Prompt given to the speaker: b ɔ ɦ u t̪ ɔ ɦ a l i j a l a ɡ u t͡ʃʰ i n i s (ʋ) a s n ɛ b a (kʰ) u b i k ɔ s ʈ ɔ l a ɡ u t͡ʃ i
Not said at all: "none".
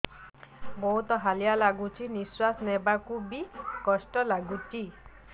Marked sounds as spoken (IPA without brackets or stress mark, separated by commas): w, k